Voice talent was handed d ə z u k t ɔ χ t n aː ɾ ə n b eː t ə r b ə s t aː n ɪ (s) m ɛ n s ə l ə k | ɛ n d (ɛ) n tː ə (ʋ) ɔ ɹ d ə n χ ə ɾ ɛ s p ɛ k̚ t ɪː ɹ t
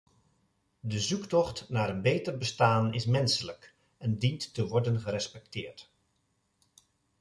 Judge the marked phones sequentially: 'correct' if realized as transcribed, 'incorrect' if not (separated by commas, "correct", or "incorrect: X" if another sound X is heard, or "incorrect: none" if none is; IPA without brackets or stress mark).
correct, incorrect: i, correct